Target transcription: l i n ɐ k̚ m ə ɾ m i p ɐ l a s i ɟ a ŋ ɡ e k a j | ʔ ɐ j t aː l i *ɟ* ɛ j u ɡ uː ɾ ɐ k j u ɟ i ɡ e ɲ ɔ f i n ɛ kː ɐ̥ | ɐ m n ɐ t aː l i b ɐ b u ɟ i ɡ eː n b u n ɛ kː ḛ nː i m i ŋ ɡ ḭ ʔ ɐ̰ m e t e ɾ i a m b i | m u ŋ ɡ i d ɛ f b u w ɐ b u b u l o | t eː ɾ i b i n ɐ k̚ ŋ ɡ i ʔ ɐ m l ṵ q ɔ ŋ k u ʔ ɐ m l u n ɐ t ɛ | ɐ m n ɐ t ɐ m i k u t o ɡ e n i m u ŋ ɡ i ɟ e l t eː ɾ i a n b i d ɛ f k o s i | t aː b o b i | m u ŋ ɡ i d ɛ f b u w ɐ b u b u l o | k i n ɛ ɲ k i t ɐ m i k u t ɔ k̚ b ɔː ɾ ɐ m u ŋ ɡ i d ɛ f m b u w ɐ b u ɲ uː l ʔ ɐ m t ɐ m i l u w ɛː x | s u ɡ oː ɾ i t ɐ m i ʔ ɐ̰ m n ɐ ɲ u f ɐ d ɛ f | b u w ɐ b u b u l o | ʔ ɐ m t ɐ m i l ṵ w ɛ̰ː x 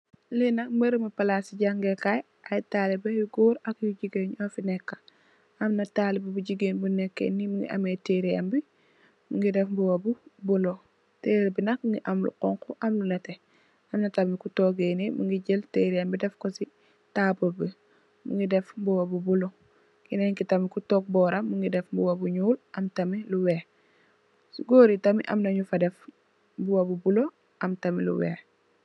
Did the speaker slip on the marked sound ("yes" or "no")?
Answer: yes